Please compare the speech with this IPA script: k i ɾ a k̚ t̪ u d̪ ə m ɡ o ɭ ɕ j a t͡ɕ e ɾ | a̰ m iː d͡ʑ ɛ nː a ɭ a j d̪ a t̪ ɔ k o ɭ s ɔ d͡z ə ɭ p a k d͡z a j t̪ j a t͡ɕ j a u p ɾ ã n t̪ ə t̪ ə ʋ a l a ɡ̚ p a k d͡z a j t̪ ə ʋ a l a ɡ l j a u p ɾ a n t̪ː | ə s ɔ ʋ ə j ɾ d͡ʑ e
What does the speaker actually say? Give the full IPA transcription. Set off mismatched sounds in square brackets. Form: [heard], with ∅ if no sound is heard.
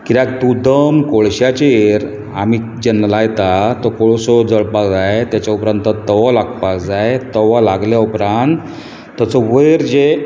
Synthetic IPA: k i ɾ a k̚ t̪ u d̪ ə m [k] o ɭ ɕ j a t͡ɕ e ɾ | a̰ m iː d͡ʑ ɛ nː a [l] a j [t̪] a t̪ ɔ k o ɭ s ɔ d͡z ə ɭ p a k d͡z a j t̪ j a t͡ɕ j a u p ɾ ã n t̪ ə t̪ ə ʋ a l a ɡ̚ p a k d͡z a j t̪ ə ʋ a l a ɡ l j a u p ɾ a n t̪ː | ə [t͡s] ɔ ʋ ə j ɾ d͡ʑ e